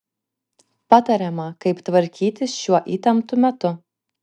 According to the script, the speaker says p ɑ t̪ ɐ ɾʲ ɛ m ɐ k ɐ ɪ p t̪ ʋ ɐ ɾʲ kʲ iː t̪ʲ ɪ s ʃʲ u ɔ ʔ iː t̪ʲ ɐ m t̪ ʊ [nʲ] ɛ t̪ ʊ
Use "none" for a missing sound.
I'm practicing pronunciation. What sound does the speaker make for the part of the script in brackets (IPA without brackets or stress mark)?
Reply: mʲ